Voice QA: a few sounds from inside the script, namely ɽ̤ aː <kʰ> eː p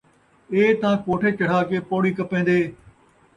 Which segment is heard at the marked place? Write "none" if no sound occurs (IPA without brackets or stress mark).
k